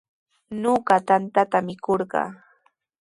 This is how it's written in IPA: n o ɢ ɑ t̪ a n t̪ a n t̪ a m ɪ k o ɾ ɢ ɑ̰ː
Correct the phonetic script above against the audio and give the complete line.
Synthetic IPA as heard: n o ɢ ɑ t̪ a n t̪ a t̪ a m ɪ k o ɾ ɢ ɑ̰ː